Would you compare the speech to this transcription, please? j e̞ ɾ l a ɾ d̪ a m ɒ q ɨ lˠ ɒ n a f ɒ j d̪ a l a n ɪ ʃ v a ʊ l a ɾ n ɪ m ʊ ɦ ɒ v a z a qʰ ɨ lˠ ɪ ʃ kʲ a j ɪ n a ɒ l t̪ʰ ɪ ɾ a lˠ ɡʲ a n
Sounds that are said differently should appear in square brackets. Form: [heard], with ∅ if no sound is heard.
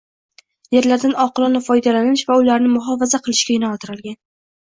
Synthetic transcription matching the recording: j e̞ ɾ l a ɾ d̪ a [n] ɒ q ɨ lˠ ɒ n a f ɒ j d̪ a l a n ɪ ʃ v a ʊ l a ɾ n ɪ m ʊ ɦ ɒ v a z a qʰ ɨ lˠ ɪ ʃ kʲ a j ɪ n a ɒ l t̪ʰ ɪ ɾ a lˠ ɡʲ a n